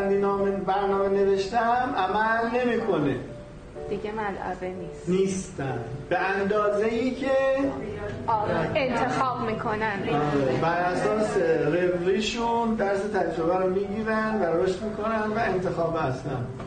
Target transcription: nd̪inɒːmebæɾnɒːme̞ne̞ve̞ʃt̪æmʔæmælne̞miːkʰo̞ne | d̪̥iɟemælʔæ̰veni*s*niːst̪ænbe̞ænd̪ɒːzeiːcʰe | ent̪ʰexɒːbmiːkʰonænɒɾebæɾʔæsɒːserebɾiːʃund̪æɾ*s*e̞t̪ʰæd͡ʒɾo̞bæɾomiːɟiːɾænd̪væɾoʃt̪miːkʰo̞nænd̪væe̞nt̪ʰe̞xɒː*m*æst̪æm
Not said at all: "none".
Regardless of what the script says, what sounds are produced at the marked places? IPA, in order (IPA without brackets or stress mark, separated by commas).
s, s, b